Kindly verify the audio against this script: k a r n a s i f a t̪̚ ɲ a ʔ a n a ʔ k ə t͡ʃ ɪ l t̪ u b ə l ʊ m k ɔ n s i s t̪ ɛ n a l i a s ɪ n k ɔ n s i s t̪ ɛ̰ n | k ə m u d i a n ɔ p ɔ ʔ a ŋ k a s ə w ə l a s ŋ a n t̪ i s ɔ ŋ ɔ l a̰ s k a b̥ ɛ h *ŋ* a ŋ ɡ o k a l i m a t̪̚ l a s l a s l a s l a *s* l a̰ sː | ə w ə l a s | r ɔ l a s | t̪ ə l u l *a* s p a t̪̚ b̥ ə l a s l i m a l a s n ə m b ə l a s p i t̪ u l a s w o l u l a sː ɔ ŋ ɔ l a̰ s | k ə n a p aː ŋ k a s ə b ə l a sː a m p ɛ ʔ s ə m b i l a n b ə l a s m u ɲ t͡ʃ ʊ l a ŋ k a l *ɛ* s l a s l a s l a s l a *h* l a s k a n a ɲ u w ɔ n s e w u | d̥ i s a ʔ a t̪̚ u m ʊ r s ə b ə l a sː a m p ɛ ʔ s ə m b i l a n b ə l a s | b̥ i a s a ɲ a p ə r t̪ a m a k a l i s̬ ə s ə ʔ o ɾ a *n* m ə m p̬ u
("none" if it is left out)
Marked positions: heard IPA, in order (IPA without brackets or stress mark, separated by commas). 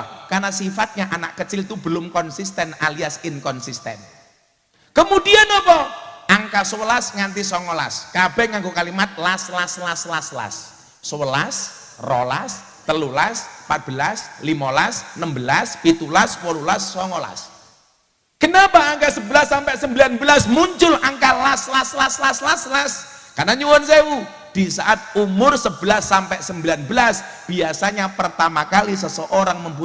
ŋ, s, a, a, s, ŋ